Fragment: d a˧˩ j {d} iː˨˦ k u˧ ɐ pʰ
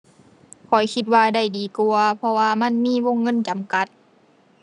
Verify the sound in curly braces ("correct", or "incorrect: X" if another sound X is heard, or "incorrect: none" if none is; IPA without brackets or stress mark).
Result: correct